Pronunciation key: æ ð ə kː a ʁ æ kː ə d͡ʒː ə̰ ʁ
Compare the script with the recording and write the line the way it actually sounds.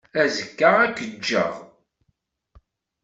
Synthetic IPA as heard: æ z ə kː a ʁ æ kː ə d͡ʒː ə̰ ʁ

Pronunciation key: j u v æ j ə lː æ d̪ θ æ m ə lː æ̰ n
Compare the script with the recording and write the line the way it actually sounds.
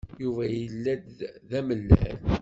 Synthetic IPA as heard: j u v æ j ə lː æ d̪ ð æ m ə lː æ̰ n

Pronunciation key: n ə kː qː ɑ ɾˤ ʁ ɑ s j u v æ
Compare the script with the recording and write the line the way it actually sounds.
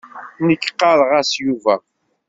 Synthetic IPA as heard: n ə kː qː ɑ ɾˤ ʁ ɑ s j u v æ

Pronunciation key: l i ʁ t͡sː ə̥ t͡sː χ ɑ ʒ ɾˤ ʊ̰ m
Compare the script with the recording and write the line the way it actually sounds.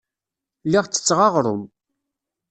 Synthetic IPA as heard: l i ʁ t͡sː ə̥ t͡sː ʁ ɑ ʁ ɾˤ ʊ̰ m

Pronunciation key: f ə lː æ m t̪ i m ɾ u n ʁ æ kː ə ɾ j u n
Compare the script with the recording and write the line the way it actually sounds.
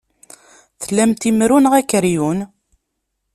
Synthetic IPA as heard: θ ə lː æ m t̪ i m ɾ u n ʁ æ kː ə ɾ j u n

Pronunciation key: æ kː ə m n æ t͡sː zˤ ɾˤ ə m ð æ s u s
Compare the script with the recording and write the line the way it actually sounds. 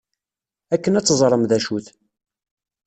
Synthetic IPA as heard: æ kː ə n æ t͡sː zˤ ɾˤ ə m ð æ ʃ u θ

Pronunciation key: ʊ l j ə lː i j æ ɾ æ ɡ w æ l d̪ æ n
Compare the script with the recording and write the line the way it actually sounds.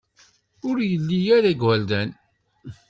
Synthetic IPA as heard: ʊ ɾ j ə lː i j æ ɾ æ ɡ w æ l d̪ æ n

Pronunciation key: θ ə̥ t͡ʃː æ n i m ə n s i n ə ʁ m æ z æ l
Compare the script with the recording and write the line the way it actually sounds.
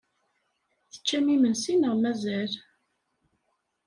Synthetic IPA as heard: θ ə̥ t͡ʃː æ m i m ə n s i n ə ʁ m æ z æ l

